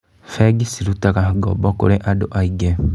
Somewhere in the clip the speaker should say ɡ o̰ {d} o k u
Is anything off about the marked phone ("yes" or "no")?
yes